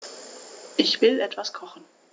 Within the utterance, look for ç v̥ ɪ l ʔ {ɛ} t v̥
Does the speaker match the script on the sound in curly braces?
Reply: yes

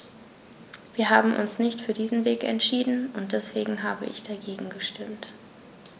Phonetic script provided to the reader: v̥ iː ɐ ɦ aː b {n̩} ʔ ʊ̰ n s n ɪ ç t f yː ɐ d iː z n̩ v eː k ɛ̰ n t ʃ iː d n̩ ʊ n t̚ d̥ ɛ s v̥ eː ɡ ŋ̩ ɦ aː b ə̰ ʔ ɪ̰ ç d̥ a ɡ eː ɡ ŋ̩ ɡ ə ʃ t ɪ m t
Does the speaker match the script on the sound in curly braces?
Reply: no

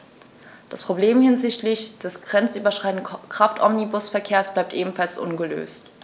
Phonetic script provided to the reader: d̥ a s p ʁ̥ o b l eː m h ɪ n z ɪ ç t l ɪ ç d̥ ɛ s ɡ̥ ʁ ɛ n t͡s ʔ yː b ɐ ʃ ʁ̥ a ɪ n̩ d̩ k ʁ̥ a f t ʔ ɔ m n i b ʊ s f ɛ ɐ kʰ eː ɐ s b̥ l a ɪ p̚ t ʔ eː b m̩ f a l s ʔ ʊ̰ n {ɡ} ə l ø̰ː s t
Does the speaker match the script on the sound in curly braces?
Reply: yes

